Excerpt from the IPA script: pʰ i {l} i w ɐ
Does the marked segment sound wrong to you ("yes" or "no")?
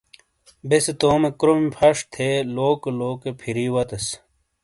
yes